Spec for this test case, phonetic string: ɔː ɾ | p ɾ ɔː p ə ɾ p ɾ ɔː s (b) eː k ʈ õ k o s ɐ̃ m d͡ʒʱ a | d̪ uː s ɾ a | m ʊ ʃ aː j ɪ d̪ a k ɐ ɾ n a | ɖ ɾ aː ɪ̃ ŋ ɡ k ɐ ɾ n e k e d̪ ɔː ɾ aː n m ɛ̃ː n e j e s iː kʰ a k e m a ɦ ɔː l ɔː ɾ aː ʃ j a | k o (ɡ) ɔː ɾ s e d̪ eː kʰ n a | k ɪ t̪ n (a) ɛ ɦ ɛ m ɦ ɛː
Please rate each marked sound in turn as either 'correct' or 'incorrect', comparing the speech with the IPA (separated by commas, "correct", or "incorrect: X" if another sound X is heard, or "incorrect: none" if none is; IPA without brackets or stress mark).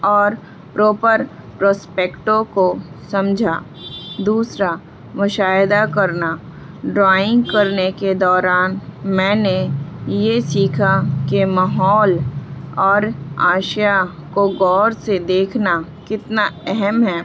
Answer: incorrect: p, correct, correct